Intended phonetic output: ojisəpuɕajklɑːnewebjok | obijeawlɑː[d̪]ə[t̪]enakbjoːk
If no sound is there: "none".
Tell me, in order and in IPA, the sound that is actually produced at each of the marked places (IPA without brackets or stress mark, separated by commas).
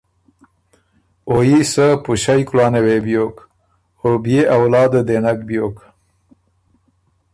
d̪, d̪